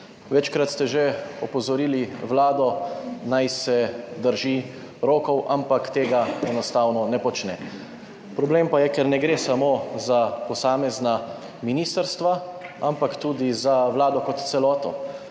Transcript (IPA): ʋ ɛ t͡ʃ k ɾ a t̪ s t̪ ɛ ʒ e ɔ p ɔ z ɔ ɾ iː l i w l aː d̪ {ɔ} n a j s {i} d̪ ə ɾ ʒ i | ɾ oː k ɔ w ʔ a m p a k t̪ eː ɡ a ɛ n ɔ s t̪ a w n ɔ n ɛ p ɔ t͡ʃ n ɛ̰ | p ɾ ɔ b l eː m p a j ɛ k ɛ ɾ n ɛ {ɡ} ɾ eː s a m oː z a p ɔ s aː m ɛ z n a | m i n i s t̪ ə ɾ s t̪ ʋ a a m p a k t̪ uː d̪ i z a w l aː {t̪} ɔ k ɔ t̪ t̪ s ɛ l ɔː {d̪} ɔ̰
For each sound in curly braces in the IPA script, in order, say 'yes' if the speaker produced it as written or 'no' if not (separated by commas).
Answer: yes, no, yes, no, no